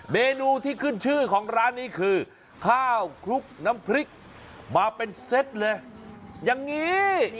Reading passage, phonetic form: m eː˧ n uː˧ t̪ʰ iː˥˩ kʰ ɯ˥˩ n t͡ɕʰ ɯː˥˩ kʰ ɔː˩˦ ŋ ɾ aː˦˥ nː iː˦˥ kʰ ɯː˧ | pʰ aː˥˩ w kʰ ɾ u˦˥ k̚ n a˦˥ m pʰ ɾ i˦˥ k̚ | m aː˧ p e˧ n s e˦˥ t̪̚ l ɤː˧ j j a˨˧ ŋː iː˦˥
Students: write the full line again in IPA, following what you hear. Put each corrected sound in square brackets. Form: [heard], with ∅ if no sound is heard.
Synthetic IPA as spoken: m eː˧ n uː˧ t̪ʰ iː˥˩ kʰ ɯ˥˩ n t͡ɕʰ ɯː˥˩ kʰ ɔː˩˦ ŋ ɾ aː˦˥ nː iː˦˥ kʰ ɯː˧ | [kʰ] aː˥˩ w kʰ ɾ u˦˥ k̚ n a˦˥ m pʰ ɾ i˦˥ k̚ | m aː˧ p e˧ n s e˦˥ t̪̚ l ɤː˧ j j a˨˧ ŋː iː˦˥